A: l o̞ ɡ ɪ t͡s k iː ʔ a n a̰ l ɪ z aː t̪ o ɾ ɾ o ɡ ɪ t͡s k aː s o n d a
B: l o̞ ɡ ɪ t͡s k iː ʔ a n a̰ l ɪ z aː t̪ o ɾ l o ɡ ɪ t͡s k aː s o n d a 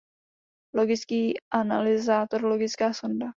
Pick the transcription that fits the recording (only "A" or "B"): B